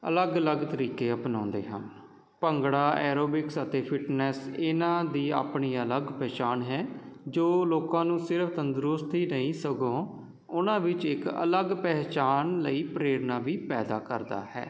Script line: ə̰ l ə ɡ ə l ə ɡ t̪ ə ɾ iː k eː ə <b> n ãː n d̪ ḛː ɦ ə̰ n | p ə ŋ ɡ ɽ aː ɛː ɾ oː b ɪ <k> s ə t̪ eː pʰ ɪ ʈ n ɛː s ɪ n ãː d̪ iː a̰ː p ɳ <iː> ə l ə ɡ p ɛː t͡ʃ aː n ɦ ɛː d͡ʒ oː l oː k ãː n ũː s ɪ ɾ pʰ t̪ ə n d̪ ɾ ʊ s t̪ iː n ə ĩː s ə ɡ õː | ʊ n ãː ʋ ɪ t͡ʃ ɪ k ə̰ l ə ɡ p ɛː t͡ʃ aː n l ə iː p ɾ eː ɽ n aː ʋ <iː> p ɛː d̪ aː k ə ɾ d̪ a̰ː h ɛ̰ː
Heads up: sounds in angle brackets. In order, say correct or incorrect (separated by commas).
incorrect, correct, correct, correct